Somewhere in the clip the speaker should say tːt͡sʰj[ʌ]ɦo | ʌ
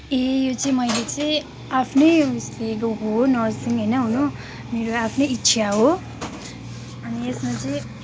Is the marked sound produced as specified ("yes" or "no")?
no